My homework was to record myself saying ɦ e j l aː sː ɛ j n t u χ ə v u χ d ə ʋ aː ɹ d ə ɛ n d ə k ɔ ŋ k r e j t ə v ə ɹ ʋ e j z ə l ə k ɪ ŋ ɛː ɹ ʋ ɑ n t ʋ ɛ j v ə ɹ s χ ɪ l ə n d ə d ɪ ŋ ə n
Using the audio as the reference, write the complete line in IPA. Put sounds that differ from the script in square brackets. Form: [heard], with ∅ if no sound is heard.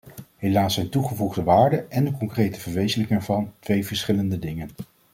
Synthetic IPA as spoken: ɦ e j l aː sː ɛ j n t u χ ə v u χ d ə ʋ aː ɹ d ə ɛ n d ə k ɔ ŋ k r e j t ə v ə ɹ ʋ e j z ə l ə k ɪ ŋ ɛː ɹ [v] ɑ n t ʋ [e] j v ə ɹ s χ ɪ l ə n d ə d ɪ ŋ ə n